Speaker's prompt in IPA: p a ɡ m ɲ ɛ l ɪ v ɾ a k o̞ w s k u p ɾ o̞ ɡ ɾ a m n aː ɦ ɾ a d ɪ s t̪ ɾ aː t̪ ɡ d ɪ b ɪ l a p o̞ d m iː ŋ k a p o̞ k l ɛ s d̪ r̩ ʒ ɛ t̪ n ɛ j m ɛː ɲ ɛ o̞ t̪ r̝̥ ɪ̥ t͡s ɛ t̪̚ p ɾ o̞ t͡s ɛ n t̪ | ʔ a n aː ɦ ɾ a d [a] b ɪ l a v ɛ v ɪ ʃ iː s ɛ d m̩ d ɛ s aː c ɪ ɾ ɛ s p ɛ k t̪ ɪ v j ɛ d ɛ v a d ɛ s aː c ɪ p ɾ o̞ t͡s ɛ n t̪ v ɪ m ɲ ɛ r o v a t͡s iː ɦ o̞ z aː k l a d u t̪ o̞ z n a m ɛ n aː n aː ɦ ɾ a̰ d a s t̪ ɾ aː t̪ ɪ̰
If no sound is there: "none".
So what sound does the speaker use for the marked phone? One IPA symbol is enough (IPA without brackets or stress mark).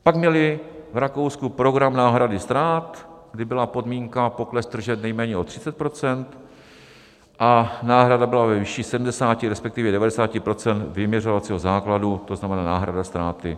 a